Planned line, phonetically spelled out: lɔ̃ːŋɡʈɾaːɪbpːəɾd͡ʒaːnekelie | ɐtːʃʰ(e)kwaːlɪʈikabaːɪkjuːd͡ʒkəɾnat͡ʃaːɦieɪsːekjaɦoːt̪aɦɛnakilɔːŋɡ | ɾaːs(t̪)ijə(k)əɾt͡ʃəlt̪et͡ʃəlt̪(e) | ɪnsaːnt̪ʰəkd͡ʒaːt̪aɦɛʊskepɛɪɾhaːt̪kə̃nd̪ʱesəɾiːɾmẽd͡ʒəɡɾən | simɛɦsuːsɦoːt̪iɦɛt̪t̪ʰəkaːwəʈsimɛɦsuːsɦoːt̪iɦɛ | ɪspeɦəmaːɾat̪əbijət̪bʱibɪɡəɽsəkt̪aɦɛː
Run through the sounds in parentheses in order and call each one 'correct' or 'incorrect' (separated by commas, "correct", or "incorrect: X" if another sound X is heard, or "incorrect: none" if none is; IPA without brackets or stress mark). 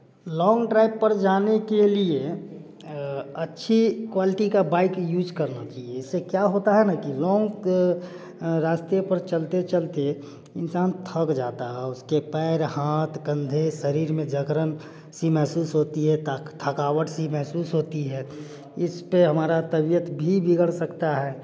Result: incorrect: i, correct, incorrect: p, correct